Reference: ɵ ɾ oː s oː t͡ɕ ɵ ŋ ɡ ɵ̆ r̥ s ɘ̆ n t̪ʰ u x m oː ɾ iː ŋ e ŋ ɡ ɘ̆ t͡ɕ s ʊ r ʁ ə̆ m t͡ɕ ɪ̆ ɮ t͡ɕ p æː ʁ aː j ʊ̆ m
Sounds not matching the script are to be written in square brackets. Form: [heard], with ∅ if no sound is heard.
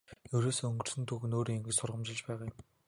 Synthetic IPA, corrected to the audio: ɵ ɾ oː s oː [∅] ɵ ŋ ɡ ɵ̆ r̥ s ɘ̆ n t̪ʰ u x [n] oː ɾ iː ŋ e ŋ ɡ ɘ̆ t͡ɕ s ʊ r ʁ ə̆ m t͡ɕ ɪ̆ ɮ t͡ɕ p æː ʁ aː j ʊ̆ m